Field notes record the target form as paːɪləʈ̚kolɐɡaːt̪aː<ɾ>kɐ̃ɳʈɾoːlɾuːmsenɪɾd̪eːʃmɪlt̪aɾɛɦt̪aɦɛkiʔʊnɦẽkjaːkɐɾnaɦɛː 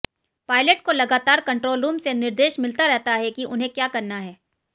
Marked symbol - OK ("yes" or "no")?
yes